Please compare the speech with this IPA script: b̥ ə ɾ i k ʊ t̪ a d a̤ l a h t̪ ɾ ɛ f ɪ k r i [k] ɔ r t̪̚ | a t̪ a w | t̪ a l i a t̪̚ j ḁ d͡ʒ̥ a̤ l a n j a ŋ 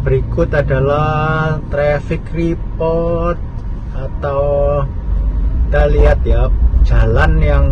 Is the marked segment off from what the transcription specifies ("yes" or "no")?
yes